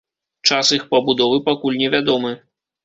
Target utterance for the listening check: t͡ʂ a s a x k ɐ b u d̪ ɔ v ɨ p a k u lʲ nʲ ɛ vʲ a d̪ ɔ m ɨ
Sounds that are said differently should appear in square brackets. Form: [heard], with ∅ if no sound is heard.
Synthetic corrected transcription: t͡ʂ a s [i] x [p] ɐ b u d̪ ɔ v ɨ p a k u lʲ nʲ ɛ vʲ a d̪ ɔ m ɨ